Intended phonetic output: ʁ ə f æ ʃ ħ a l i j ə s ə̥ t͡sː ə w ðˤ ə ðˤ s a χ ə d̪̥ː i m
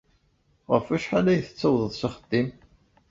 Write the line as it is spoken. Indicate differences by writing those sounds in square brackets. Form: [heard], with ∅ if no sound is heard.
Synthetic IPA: ʁ ə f æ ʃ ħ a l [æ] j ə [θ] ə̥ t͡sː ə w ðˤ ə ðˤ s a χ ə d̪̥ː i m